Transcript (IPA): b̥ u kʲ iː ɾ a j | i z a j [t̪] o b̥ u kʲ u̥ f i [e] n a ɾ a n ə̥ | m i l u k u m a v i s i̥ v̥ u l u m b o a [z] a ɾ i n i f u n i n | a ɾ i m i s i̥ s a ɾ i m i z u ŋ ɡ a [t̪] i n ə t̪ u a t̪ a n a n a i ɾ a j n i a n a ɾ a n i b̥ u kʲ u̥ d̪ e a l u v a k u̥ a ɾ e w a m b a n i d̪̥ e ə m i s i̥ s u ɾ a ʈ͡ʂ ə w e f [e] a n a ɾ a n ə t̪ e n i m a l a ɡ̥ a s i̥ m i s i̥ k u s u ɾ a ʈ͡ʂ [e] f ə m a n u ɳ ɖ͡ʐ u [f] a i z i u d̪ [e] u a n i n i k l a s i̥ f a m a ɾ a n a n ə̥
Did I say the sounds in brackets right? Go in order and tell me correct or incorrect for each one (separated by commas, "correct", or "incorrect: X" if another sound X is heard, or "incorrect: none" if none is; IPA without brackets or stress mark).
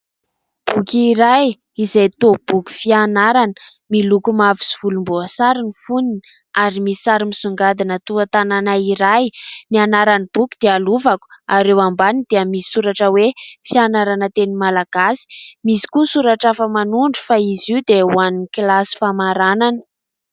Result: correct, incorrect: a, incorrect: s, incorrect: d̪, incorrect: i, incorrect: a, correct, correct